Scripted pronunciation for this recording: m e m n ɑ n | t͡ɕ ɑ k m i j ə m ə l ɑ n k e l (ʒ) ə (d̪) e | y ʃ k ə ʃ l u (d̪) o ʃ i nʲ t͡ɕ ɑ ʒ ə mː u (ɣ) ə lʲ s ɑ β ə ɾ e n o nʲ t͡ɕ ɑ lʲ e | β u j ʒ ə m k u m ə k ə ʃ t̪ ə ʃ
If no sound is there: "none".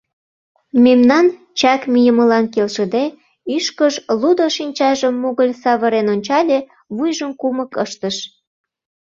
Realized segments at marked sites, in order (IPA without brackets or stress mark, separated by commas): ʃ, d̪, d̪, ɣ